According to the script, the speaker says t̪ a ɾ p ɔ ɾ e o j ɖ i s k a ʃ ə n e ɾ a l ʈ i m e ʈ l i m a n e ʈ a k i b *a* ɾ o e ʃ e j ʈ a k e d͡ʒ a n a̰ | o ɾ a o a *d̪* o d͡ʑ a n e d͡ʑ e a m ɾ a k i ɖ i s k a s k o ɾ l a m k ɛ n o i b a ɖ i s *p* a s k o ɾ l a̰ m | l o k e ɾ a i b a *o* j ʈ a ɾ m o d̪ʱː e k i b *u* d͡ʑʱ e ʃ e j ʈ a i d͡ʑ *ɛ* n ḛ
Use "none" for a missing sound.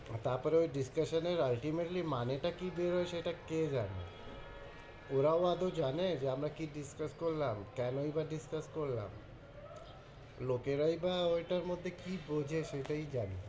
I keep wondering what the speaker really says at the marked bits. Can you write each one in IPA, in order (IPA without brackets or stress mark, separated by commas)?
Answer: e, d̪, k, o, o, a